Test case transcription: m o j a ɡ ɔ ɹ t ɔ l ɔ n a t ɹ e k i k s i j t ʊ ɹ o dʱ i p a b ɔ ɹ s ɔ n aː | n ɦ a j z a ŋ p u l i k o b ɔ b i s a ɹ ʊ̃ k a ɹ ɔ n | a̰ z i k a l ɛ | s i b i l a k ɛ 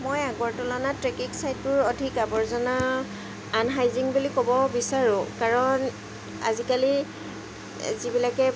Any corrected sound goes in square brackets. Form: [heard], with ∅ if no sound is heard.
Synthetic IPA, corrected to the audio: m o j a ɡ ɔ ɹ t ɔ l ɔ n a t ɹ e k i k s [a] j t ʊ ɹ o dʱ i [k] a b ɔ ɹ [z] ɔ n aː | n ɦ a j z [i] ŋ [b] u l i k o b ɔ b i s a ɹ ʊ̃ k a ɹ ɔ n | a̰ z i k a l [i] | [z] i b i l a k ɛ